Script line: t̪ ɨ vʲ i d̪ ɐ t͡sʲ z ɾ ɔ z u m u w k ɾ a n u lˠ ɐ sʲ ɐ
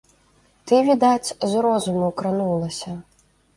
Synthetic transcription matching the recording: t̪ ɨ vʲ i d̪ a t͡sʲ z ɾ ɔ z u m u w k ɾ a n u lˠ ɐ sʲ ɐ